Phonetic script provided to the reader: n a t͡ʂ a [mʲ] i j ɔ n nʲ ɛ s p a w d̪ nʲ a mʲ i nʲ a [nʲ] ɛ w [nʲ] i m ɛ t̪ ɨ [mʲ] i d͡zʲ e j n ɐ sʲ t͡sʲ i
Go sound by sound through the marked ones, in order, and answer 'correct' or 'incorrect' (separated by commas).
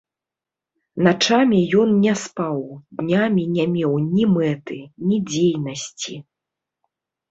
correct, incorrect, correct, incorrect